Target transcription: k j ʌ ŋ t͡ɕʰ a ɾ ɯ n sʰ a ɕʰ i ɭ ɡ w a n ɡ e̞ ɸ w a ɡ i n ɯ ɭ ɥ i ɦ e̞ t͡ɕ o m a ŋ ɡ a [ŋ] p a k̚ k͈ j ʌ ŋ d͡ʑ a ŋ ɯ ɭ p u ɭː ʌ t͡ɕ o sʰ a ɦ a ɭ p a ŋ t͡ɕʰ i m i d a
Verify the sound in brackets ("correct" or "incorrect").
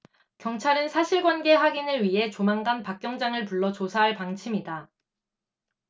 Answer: incorrect